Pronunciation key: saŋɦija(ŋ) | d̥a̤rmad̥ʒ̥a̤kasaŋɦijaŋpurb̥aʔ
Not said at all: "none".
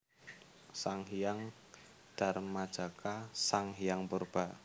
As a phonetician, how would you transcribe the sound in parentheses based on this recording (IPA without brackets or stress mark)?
ŋ